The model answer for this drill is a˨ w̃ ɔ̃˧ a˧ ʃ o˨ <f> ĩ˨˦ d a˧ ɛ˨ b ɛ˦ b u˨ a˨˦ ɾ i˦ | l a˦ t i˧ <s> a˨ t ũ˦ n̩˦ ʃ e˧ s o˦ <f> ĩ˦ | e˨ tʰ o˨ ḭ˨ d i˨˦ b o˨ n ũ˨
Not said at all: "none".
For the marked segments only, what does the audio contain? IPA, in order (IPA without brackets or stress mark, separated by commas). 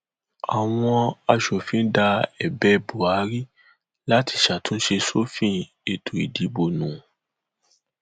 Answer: f, ʃ, f